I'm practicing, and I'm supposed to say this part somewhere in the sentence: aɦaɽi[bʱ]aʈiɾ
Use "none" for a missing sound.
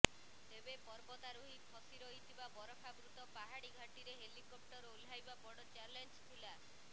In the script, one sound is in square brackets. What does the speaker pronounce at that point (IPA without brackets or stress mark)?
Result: ɡʱ